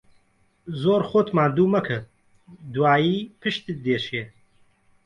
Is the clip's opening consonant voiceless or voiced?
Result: voiced